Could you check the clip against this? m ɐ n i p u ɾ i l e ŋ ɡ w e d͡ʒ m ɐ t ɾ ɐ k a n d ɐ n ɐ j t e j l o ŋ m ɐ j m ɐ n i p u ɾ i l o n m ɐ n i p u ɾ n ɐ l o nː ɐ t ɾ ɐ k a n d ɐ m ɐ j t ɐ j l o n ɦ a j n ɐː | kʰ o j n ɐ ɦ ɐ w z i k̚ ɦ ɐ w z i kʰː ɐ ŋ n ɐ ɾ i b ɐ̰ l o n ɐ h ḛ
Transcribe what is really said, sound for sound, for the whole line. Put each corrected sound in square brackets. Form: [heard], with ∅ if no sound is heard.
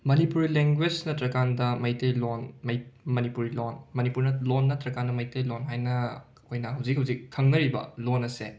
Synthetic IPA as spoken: m ɐ n i p u ɾ i l e ŋ ɡ w e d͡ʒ [n] ɐ t ɾ ɐ k a n d ɐ [m] ɐ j t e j l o [n] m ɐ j m ɐ n i p u ɾ i l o n m ɐ n i p u ɾ n ɐ l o nː ɐ t ɾ ɐ k a n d ɐ m ɐ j t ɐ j l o n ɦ a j n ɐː | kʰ o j n ɐ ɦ ɐ w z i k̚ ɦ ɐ w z i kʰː ɐ ŋ n ɐ ɾ i b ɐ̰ l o n ɐ [s] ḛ